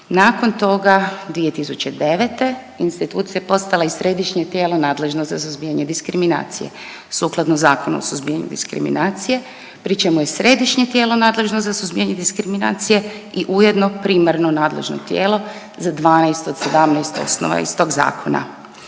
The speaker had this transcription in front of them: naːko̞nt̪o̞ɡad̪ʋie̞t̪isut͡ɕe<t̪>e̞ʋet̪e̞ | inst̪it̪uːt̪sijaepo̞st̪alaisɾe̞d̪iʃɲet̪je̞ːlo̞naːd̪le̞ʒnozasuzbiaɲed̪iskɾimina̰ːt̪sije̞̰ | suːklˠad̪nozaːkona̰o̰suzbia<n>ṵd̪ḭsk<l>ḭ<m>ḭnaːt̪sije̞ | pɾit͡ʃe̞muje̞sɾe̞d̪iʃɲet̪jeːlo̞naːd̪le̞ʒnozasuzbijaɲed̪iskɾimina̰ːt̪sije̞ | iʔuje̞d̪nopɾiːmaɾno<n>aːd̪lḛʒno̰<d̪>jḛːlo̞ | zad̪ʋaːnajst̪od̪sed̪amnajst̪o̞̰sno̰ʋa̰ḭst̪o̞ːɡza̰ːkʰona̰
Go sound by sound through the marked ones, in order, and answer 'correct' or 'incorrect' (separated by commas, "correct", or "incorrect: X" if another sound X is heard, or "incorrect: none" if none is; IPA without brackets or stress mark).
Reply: incorrect: d̪, incorrect: ɲ, incorrect: ɾ, correct, correct, incorrect: t̪